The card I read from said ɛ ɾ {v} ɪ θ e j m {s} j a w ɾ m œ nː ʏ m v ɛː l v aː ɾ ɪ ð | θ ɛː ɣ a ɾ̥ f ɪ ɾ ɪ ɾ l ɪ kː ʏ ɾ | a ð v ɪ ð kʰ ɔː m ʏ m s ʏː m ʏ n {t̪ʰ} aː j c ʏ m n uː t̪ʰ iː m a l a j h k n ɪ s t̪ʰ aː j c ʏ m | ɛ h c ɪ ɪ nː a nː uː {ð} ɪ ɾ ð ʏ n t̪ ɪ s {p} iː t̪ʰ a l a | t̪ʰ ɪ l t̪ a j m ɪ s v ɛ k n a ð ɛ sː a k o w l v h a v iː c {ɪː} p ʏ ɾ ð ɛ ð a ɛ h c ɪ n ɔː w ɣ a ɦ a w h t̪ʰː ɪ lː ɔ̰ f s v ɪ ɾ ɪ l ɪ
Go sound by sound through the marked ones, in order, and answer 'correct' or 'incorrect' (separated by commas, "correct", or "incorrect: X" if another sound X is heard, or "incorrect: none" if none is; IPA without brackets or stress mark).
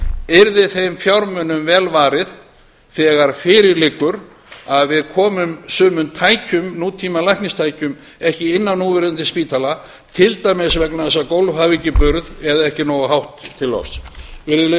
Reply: incorrect: ð, incorrect: f, correct, incorrect: v, correct, incorrect: ɪ